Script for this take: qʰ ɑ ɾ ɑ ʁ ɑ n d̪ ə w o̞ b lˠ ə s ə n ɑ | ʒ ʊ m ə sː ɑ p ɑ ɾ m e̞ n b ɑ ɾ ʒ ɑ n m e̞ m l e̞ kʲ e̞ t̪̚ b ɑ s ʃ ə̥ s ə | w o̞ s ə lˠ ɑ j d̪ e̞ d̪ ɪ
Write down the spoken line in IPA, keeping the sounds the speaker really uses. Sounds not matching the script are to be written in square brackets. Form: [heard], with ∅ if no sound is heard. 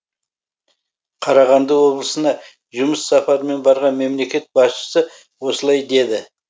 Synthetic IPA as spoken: qʰ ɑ ɾ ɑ ʁ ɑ n d̪ ə w o̞ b lˠ ə s ə n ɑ | ʒ ʊ m ə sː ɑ p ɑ ɾ m e̞ n b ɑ ɾ [ʁ] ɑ n m e̞ m l e̞ kʲ e̞ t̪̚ b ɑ s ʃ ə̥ s ə | w o̞ s ə lˠ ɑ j d̪ e̞ d̪ ɪ